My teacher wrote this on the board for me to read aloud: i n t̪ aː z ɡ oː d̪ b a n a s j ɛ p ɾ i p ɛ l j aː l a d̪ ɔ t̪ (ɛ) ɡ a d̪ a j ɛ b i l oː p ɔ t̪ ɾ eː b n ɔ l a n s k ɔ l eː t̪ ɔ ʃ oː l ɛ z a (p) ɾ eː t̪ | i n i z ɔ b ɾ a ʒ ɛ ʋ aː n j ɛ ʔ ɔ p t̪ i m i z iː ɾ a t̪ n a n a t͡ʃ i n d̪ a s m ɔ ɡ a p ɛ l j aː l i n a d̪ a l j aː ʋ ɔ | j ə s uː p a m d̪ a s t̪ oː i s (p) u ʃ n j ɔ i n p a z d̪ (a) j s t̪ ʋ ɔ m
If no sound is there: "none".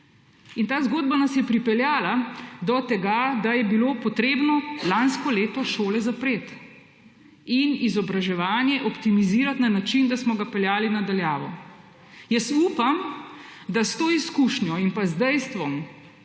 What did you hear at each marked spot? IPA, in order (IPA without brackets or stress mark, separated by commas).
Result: ɛ, p, k, ɛ